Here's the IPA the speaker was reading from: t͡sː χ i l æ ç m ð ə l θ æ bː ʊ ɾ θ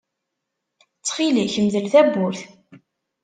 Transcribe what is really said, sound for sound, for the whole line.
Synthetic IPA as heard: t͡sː χ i l i ç m ð ə l θ æ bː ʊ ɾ θ